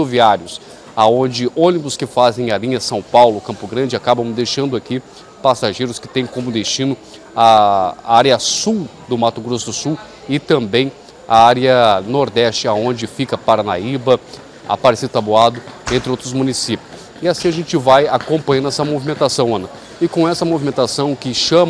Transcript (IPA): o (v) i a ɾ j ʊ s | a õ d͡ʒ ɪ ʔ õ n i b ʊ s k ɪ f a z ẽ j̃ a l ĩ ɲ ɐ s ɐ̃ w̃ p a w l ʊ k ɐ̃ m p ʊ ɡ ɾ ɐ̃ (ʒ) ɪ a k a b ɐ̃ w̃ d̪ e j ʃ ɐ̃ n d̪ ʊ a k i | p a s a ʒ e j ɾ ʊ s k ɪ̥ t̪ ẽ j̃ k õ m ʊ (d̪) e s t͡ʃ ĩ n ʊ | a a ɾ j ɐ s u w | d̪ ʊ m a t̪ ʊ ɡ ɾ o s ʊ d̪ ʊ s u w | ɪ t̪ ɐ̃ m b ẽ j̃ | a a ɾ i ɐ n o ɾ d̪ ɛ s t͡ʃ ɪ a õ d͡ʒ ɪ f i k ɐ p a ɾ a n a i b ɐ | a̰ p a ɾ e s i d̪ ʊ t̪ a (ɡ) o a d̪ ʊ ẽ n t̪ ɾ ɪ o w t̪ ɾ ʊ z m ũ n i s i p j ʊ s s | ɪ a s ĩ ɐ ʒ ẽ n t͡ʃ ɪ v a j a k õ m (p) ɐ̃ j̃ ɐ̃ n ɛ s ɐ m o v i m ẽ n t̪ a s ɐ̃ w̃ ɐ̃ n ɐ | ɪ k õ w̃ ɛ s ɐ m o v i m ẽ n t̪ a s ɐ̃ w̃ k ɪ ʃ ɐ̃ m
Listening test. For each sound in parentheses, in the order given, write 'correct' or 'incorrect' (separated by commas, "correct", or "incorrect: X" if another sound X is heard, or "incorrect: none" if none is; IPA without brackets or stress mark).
correct, incorrect: d͡ʒ, correct, incorrect: b, correct